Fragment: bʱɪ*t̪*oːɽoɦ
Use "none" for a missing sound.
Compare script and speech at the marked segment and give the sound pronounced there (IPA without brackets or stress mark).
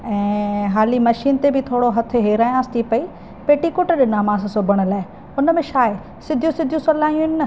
t̪ʰ